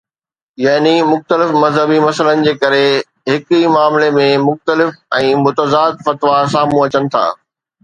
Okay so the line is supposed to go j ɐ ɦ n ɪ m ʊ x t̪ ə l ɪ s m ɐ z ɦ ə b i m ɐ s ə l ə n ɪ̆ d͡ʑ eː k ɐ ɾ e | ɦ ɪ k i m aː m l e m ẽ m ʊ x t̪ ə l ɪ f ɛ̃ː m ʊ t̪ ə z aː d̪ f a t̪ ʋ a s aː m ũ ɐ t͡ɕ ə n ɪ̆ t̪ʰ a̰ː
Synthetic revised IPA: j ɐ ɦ n i m ʊ x t̪ ə l ɪ f m ɐ z ɦ ə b i m ɐ s ə l ə n ɪ̆ d͡ʑ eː k ɐ ɾ e | ɦ ɪ k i m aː m l e m ẽ m ʊ x t̪ ə l ɪ f ɛ̃ː m ʊ t̪ ə z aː d̪ f ɐ t̪ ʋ a s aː m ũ ɐ t͡ɕ ə n ɪ̆ t̪ʰ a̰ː